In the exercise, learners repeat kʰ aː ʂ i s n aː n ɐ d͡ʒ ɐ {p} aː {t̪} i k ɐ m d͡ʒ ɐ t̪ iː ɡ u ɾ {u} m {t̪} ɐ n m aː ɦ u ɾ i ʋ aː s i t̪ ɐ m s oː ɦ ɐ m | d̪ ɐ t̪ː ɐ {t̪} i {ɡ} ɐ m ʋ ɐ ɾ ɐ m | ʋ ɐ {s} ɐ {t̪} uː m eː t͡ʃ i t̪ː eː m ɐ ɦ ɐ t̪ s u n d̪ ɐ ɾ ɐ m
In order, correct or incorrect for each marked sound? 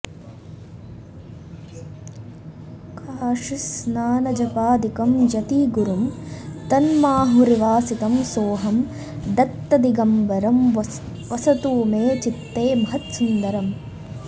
correct, incorrect: d̪, correct, correct, incorrect: d̪, correct, correct, correct

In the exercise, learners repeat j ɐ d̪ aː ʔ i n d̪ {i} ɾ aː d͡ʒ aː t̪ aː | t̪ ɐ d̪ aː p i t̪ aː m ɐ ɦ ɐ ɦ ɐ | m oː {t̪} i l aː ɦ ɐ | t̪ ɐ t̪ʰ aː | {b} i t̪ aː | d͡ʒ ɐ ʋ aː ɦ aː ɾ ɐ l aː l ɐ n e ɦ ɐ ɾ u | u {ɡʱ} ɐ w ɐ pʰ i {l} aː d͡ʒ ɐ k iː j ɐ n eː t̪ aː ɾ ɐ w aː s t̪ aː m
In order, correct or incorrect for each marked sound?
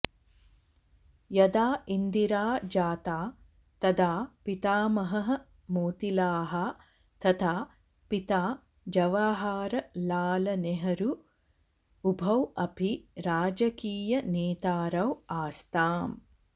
correct, correct, incorrect: p, incorrect: bʱ, incorrect: ɾ

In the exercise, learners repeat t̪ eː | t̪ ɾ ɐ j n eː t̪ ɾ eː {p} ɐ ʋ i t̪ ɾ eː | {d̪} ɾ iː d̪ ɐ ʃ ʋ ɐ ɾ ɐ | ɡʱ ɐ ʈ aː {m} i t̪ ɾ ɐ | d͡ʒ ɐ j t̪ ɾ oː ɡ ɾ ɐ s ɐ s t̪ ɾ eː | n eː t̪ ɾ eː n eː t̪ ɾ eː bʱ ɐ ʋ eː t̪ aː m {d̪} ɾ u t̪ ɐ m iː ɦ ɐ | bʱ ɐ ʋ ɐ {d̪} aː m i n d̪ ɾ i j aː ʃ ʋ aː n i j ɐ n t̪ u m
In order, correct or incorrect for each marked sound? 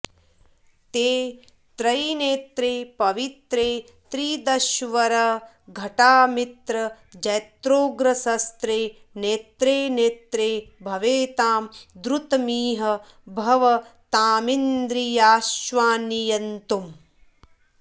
correct, incorrect: t̪, correct, correct, incorrect: t̪

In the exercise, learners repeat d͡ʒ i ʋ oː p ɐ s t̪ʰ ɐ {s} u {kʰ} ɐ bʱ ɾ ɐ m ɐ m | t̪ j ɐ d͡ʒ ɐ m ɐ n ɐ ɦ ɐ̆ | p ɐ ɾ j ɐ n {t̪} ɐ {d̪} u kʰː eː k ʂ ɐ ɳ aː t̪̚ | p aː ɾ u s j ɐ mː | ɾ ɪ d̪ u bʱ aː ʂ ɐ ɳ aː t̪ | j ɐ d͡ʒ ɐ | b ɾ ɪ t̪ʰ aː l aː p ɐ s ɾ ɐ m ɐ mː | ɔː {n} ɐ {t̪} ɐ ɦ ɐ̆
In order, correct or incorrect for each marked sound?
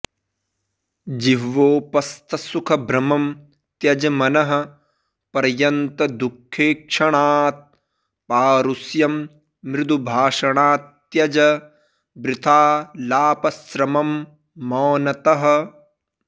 correct, correct, correct, correct, correct, correct

